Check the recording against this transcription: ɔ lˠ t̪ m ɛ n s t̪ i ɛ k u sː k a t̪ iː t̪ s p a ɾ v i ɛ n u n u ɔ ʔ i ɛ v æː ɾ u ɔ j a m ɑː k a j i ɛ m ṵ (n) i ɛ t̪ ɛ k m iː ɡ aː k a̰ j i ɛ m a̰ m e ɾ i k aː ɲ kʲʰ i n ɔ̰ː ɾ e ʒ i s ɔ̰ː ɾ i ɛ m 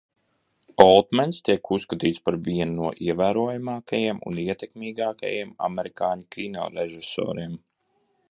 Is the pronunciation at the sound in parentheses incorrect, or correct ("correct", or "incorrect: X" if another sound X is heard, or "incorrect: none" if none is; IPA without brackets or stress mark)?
correct